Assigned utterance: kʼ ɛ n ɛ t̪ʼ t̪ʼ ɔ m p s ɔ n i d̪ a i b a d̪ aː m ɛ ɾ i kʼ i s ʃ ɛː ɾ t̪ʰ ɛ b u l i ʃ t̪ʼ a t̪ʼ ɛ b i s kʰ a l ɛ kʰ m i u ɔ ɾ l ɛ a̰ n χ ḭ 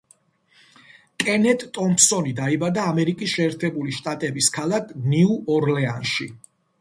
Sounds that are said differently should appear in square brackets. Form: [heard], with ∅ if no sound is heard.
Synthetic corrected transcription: kʼ ɛ n ɛ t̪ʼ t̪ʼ ɔ m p s ɔ n i d̪ a i b a d̪ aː m ɛ ɾ i kʼ i s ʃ ɛː ɾ t̪ʰ ɛ b u l i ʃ t̪ʼ a t̪ʼ ɛ b i s kʰ a l [a] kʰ [n] i u ɔ ɾ l ɛ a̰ n [ʃ] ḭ